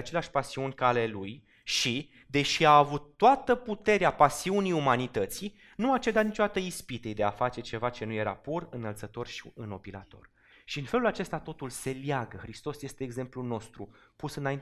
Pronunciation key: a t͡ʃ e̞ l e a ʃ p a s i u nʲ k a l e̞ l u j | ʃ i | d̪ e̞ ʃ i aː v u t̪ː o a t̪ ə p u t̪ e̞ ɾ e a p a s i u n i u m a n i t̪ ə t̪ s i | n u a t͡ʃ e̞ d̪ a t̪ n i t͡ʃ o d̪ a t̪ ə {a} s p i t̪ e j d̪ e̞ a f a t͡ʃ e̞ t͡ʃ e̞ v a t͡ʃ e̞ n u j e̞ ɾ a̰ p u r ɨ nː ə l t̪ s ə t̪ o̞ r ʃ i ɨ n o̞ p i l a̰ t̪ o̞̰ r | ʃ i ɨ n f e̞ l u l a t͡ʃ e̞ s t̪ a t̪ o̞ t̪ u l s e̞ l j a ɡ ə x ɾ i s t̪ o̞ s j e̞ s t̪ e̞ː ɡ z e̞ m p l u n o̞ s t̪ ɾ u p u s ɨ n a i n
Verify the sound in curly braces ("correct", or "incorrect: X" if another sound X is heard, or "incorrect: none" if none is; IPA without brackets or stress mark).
incorrect: i